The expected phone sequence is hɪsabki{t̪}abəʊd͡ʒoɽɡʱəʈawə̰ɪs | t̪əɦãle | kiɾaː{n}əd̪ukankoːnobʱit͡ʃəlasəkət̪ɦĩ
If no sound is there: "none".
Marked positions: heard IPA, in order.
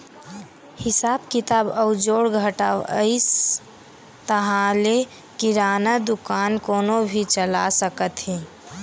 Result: t̪, n

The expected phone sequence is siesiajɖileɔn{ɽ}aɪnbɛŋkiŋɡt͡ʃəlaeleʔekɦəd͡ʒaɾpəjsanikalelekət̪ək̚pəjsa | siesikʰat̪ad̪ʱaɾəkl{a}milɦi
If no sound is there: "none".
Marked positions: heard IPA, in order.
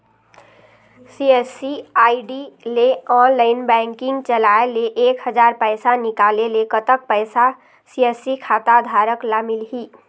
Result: l, a

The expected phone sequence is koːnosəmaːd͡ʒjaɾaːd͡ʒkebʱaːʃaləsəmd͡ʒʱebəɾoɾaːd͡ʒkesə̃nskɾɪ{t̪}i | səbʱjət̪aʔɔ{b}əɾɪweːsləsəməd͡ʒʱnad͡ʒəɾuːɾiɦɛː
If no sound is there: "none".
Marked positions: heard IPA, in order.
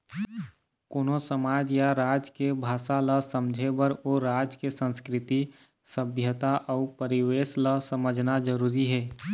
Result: t̪, p

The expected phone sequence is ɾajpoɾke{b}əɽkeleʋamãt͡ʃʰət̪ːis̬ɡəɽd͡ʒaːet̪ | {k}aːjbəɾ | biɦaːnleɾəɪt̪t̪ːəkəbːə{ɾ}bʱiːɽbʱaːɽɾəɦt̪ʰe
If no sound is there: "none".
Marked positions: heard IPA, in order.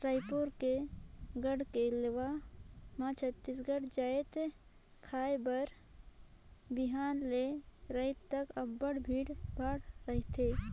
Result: ɡ, kʰ, ɽ

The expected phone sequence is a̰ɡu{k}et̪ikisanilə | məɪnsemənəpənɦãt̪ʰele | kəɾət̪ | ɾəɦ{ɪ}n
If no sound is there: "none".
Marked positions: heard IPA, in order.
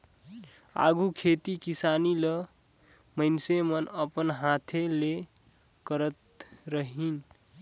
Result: kʰ, i

